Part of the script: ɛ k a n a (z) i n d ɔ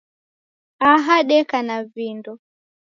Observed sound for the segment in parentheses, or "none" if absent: v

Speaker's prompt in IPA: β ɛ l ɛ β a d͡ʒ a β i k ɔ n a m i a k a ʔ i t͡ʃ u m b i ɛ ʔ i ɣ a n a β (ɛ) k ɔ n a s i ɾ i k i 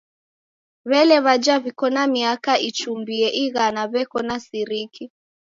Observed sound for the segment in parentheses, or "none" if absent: ɛ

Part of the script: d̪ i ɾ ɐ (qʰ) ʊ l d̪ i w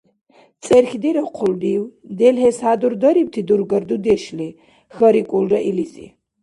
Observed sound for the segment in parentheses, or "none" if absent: qʰ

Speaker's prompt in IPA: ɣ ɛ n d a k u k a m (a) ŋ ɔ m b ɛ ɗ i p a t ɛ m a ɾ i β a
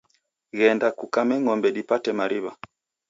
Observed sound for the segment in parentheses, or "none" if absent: ɛ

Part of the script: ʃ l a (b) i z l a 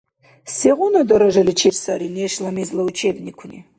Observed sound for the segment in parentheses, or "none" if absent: m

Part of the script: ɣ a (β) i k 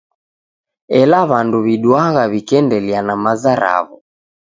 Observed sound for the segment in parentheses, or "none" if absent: β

